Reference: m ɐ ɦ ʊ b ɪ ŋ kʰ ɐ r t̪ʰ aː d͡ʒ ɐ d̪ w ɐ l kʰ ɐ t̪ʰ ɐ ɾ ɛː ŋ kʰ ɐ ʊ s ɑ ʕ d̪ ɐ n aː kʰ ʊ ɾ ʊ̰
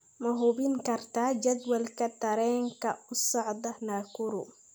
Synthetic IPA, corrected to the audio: m ɐ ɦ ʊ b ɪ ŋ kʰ ɐ r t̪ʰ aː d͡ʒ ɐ d̪ w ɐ l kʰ ɐ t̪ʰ ɐ ɾ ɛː ŋ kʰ ɐ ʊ s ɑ ʕ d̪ ɐ n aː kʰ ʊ ɾ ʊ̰